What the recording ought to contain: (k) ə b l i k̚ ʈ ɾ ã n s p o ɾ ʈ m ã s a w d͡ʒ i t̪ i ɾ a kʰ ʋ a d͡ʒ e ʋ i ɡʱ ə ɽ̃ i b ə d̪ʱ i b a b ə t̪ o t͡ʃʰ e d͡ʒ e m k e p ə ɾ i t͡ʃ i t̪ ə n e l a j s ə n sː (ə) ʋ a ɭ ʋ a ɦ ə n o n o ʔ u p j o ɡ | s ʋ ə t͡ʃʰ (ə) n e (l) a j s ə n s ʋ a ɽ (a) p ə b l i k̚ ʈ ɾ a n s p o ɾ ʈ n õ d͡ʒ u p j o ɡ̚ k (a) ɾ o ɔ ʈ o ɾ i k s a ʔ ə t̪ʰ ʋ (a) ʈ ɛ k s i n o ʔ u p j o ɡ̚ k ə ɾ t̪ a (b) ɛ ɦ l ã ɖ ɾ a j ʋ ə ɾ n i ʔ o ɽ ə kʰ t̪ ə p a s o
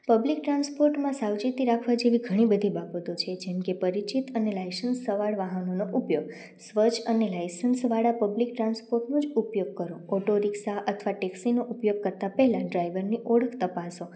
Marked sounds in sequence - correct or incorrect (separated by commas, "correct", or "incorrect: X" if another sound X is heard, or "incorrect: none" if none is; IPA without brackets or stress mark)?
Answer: incorrect: p, correct, correct, correct, correct, incorrect: ə, correct, incorrect: p